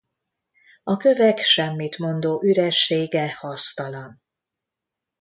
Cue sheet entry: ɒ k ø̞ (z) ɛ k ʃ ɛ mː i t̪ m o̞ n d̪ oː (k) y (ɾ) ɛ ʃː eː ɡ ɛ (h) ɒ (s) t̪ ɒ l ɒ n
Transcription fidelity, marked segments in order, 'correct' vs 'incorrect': incorrect, incorrect, correct, correct, correct

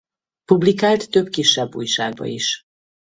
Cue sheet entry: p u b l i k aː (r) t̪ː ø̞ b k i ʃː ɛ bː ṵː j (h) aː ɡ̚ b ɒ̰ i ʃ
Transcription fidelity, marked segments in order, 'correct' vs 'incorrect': incorrect, incorrect

